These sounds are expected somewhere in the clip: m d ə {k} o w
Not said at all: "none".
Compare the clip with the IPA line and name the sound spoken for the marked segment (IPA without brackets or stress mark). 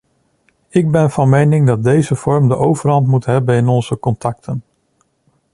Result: ʔ